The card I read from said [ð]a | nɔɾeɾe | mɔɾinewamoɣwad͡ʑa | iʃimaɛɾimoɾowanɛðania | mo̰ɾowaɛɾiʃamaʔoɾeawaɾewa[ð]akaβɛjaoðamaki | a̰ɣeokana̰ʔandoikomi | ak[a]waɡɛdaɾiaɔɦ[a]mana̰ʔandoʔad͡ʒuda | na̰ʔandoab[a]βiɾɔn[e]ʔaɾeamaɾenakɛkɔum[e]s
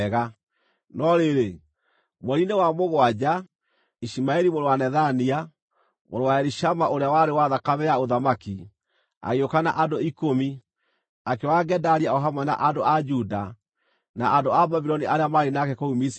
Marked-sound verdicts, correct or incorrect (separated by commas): incorrect, correct, incorrect, correct, correct, incorrect, incorrect